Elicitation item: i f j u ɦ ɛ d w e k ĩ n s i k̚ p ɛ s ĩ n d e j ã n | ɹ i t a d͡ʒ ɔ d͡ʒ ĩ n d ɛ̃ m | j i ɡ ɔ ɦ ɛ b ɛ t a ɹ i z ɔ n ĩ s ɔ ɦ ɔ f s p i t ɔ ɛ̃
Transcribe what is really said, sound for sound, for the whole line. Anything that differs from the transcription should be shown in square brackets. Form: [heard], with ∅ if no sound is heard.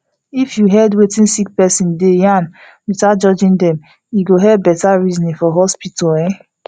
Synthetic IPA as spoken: i f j u ɦ ɛ d w e [t] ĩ n s i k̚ p ɛ s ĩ n d e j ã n | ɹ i t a d͡ʒ ɔ d͡ʒ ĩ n d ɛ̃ m | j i ɡ [o] ɦ ɛ b ɛ t a ɹ i z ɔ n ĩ [f] ɔ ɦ ɔ [∅] s p i t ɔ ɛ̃

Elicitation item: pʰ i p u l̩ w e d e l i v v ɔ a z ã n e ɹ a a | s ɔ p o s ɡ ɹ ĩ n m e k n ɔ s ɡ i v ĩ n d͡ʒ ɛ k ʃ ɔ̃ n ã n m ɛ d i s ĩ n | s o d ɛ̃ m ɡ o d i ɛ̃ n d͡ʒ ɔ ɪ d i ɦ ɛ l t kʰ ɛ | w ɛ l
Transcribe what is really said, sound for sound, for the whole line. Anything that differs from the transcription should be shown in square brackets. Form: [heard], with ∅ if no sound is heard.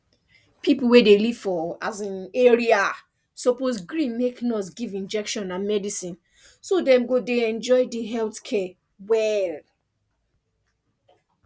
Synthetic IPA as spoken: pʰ i p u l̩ w e d e l i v [f] ɔ a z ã n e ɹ [i] a | s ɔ p o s ɡ ɹ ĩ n m e k n ɔ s ɡ i v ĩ n d͡ʒ ɛ k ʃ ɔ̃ n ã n m ɛ d i s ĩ n | s o d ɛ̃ m ɡ o d [e] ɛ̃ n d͡ʒ ɔ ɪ d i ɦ ɛ l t kʰ ɛ | w ɛ l

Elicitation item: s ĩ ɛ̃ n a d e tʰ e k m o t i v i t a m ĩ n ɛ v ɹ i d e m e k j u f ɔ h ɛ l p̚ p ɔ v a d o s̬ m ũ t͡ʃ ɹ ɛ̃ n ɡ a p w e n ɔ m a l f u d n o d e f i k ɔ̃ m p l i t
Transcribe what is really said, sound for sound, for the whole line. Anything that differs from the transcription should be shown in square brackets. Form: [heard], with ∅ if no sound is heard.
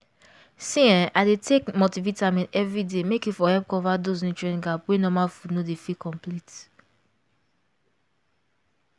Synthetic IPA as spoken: s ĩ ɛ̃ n a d e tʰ e k m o t i v i t a m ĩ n ɛ v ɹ i d e m e k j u f ɔ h ɛ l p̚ [k] ɔ v a d o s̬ [n] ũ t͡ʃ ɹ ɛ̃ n ɡ a p w e n ɔ m a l f u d n o d e f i k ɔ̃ m p l i t

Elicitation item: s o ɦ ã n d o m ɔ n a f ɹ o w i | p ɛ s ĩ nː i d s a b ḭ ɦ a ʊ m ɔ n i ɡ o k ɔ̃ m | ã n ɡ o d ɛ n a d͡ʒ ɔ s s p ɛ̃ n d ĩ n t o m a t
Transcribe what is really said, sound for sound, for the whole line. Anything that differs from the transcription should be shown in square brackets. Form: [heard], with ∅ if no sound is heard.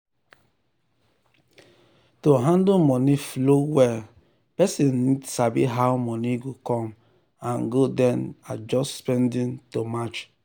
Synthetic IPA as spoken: [t] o ɦ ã n d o m ɔ n [i] f [l] o w [ɛ] | p ɛ s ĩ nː i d s a b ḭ ɦ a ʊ m ɔ n i ɡ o k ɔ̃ m | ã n ɡ o d ɛ n a d͡ʒ ɔ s s p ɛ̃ n d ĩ n t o m a [t͡ʃ]

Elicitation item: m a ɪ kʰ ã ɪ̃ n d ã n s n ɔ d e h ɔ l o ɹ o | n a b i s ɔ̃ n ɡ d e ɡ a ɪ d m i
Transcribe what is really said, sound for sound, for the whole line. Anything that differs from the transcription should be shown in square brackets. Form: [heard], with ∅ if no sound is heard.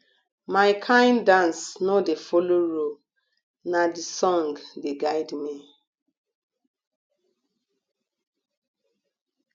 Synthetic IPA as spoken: m a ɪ kʰ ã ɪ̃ n d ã n s n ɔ d e [f] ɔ l o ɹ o | n a [d] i s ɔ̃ [ŋ] ɡ d e ɡ a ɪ d m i

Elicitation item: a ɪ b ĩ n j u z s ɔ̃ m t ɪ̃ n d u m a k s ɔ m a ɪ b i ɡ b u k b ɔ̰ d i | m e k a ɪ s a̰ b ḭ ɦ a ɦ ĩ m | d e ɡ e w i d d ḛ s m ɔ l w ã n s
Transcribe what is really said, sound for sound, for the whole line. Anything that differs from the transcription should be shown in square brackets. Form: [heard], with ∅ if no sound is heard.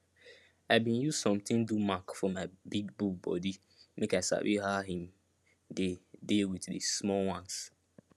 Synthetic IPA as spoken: a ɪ b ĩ n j u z s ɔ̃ m t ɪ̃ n d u m a k [f] ɔ m a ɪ b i ɡ b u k b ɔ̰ d i | m e k a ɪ s a̰ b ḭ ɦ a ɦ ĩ m | d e [d] e w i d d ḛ s m ɔ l w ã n s

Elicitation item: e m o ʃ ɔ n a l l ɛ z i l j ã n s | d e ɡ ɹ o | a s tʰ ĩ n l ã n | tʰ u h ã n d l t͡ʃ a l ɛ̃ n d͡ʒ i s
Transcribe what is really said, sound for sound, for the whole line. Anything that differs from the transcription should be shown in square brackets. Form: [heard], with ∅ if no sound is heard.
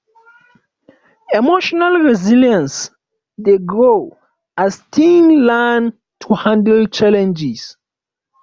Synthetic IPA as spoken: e m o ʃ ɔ n a l [ɹ] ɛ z i l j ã n s | d e ɡ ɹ o | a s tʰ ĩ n l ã n | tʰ u h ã n d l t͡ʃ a l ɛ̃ n d͡ʒ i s

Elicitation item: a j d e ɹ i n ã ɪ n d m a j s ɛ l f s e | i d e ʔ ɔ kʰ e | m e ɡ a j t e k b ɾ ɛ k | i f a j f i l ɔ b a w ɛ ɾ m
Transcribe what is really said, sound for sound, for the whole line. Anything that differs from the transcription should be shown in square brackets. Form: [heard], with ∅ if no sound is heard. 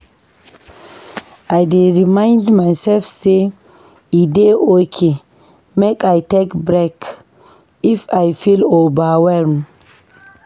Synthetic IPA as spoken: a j d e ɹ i [m] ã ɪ n d m a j s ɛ l f s e | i d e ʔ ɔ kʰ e | m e [k] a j t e k b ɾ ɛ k | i f a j f i l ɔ b a w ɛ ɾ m

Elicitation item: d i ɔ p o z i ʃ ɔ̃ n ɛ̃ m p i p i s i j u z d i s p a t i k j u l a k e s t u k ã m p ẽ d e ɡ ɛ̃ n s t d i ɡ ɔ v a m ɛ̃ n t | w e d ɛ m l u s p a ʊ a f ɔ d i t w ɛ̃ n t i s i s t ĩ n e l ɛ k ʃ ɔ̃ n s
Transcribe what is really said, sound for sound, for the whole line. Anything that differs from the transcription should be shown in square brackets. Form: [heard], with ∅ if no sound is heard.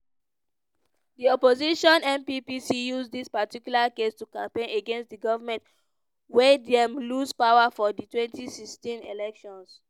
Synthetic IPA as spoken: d i ɔ p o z i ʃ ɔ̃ n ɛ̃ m p i p i s i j u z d i s p a t i k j u l a k e s t u k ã m p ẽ [n] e ɡ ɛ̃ n s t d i ɡ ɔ v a m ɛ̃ n t | w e d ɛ m l u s p a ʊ a f ɔ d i t w ɛ̃ n t i s i s t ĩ n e l ɛ k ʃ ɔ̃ n s

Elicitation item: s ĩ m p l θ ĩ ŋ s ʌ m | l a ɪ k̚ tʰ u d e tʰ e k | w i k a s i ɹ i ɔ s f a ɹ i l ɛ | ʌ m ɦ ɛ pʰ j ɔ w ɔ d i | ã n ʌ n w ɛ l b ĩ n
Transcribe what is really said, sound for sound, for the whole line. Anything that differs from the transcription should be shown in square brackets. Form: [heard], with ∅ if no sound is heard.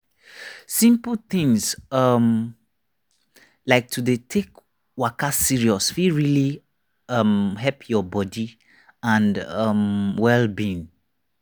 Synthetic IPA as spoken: s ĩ m p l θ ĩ ŋ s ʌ m | l a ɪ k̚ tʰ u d e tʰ e k | w [a] k a s i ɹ i ɔ s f [i] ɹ i l [i] | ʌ m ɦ ɛ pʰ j ɔ [b] ɔ d i | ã n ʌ [m] w ɛ l b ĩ n

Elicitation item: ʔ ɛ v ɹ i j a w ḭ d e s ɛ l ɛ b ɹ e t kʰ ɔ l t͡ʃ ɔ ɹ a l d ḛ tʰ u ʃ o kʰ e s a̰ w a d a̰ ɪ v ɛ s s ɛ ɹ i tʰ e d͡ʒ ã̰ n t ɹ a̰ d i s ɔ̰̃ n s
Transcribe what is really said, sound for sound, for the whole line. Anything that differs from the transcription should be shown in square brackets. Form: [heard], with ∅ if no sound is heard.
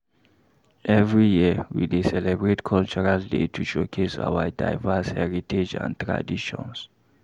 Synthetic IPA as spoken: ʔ ɛ v ɹ i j [i] w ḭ d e s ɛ l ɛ b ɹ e t kʰ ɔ l t͡ʃ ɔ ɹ a l d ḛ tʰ u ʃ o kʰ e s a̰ w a d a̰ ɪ v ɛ s [h] ɛ ɹ i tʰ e d͡ʒ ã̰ n t ɹ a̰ d i [ʃ] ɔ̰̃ n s

